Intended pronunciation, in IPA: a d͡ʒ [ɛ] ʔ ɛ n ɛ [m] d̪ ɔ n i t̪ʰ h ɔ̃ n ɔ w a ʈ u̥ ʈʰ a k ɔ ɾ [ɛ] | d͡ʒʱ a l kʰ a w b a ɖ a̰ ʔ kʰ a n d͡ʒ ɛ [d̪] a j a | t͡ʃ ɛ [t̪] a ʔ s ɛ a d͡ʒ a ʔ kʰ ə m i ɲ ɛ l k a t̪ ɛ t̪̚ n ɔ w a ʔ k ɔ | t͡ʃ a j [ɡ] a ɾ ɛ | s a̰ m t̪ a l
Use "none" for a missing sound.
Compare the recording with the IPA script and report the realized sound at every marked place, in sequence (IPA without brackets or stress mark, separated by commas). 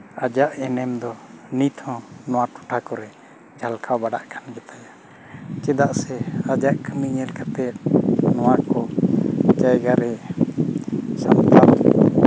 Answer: a, m, ɛ, t̪, d̪, ɡ